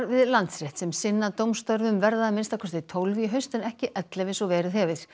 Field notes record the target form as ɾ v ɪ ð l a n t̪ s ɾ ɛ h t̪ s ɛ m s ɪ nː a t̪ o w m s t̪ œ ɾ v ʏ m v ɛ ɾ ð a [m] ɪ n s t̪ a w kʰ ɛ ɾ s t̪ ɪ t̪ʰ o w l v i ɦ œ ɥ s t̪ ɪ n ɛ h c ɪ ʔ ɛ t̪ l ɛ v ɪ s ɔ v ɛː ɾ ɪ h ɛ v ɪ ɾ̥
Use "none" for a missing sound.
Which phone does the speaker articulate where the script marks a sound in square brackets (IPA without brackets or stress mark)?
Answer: m